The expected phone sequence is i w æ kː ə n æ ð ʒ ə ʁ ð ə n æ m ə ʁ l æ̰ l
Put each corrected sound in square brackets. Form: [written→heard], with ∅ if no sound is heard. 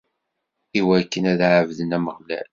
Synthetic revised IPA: i w æ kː ə n æ ð [ʒ→ʕ] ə [ʁ→v] ð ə n æ m ə ʁ l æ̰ l